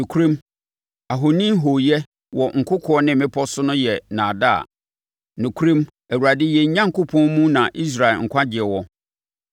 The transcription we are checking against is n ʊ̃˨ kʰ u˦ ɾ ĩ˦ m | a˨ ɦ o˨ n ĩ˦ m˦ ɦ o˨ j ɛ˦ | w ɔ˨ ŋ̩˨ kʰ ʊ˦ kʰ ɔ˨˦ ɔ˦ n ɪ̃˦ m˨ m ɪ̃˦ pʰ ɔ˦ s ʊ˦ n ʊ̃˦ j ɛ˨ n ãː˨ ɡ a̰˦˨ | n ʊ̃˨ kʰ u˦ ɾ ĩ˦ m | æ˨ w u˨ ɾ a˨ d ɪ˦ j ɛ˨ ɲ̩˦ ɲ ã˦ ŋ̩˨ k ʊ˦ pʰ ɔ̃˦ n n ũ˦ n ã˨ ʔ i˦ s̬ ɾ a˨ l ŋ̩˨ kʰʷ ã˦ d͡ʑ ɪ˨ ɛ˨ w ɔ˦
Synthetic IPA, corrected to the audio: n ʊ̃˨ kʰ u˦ ɾ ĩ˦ m | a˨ ɦ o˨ n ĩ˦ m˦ ɦ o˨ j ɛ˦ | w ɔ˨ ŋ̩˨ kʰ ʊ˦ kʰ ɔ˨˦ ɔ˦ n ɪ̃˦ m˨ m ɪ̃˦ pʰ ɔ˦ s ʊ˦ n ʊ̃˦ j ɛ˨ n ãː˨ d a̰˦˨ | n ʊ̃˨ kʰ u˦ ɾ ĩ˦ m | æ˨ w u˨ ɾ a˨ d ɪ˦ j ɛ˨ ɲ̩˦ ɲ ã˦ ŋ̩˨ k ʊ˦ pʰ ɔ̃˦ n m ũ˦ n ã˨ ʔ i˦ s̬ ɾ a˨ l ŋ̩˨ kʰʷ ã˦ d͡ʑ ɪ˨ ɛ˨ w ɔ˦